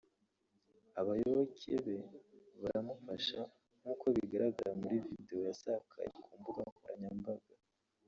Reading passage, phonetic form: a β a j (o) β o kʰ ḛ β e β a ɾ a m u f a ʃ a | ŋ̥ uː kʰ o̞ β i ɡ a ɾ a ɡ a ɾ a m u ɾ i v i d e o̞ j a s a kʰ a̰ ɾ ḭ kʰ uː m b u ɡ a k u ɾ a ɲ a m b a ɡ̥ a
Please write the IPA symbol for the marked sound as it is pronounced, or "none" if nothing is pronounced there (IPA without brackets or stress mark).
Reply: o